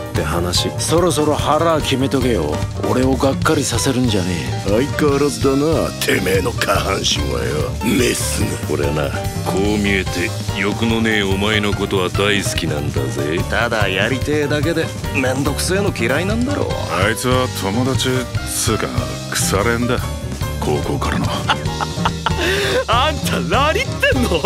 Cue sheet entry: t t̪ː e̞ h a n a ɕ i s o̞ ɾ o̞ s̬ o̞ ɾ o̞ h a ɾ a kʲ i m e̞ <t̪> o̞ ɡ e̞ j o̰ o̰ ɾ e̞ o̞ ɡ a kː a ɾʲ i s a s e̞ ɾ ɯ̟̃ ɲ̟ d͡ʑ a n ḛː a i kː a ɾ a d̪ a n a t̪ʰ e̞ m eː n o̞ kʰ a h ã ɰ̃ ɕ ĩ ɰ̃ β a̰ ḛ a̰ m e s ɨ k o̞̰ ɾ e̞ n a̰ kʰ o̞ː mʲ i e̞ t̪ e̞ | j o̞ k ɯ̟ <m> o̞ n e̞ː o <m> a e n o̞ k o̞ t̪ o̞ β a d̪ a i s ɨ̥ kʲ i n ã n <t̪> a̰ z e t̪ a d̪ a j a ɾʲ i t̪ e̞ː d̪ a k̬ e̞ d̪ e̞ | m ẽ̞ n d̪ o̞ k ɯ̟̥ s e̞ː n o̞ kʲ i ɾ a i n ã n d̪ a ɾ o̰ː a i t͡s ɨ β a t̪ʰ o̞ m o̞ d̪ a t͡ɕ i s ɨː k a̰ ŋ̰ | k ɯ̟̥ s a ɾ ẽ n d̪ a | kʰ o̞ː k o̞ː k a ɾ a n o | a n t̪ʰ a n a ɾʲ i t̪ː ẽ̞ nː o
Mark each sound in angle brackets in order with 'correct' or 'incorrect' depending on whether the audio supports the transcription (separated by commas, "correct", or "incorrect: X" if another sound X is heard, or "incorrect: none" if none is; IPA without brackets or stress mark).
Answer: correct, incorrect: n, correct, incorrect: d̪